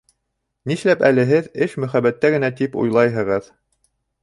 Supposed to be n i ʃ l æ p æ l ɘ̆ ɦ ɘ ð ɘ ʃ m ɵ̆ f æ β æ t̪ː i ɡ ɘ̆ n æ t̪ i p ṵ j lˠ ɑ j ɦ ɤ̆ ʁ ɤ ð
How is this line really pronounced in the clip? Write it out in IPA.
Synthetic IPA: n i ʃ l æ p æ l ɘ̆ ɦ ɘ ð ɘ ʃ m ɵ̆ χ æ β æ t̪ː æ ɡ ɘ̆ n æ t̪ i p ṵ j lˠ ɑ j ɦ ɤ̆ ʁ ɤ ð